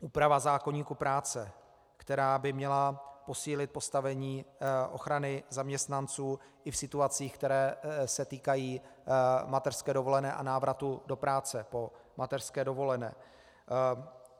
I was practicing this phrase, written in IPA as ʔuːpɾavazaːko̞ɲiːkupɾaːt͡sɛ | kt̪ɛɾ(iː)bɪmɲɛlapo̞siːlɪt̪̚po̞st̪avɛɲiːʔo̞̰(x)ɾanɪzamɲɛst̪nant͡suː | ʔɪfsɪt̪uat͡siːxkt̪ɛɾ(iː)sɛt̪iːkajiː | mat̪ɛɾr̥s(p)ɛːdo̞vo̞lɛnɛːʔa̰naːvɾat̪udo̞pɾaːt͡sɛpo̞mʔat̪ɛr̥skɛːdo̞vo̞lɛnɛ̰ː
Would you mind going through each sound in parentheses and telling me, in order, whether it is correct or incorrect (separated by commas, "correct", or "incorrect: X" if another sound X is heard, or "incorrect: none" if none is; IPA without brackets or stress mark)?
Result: incorrect: aː, correct, incorrect: ɛː, incorrect: k